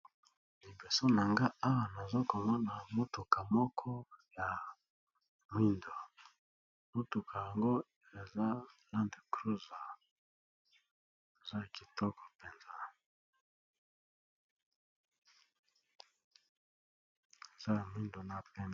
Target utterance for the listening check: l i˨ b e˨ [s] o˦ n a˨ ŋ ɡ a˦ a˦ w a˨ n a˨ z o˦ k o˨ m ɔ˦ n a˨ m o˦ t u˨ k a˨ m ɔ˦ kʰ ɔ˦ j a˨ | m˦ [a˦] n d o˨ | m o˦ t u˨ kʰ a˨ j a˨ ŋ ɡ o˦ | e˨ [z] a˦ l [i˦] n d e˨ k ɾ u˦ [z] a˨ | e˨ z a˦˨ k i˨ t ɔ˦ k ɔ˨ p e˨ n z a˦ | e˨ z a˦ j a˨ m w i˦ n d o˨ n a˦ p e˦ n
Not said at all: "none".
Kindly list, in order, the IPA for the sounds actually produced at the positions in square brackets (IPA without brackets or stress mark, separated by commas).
s, i˦, z, a˦, z